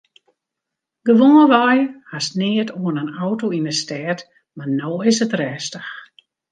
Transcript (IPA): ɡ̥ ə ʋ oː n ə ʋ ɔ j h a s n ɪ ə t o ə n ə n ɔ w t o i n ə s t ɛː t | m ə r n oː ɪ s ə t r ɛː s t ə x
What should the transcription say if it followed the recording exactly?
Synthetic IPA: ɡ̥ ə ʋ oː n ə ʋ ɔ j h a s n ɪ ə t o ə n ə n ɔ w t o i n ə s t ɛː t | m a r n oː ɪ s ə t r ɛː s t ə x